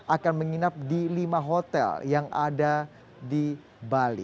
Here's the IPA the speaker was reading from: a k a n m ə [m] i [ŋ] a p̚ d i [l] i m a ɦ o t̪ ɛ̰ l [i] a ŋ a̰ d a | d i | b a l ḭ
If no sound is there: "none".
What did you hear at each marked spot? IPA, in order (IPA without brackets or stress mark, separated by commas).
ŋ, n, l, j